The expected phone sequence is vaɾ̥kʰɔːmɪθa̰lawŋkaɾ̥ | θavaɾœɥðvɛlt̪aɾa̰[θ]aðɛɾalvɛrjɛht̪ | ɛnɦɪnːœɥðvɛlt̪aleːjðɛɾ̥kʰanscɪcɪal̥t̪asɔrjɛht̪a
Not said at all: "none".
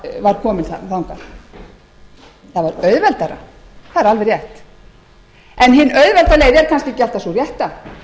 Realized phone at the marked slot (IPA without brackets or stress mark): θ